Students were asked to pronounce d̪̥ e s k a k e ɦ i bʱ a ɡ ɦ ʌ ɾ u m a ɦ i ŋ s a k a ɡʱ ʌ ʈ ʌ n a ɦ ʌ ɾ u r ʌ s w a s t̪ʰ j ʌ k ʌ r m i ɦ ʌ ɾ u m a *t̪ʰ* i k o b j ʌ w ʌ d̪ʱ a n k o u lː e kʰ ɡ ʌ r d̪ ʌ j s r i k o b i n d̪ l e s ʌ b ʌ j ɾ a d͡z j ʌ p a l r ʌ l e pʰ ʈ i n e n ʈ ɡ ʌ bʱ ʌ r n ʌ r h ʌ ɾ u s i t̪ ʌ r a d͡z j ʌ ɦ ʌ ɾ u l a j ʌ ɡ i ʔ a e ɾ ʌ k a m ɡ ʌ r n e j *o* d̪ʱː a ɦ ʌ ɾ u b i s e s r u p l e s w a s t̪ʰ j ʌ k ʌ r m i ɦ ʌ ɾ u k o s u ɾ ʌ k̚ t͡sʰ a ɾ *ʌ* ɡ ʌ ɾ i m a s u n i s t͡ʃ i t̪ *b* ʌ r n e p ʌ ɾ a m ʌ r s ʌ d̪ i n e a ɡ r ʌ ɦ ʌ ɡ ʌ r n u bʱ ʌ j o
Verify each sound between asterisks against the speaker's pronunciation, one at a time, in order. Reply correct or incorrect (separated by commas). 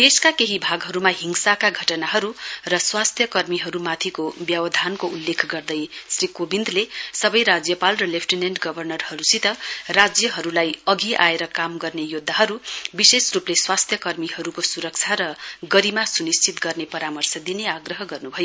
correct, correct, correct, incorrect